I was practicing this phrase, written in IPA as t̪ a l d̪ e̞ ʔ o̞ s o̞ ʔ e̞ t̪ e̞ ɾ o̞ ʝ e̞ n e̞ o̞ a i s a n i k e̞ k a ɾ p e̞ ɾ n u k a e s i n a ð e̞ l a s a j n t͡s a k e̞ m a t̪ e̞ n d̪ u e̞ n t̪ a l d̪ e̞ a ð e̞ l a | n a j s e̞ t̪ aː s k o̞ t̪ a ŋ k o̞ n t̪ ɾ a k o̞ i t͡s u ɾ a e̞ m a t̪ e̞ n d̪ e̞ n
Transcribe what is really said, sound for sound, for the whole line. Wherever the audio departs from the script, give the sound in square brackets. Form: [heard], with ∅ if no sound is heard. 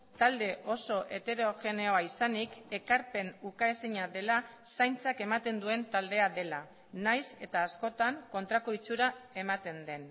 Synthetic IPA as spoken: t̪ a l d̪ e̞ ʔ o̞ s o̞ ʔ e̞ t̪ e̞ ɾ o̞ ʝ e̞ n e̞ o̞ a i s a n i k e̞ k a ɾ p e̞ [∅] n u k a e s i [ɲ] a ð e̞ l a s a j n t͡s a k e̞ m a t̪ e̞ n d̪ u e̞ n t̪ a l d̪ e̞ a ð e̞ l a | n a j s e̞ t̪ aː s k o̞ t̪ a ŋ k o̞ n t̪ ɾ a k o̞ i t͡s u ɾ a e̞ m a t̪ e̞ n d̪ e̞ n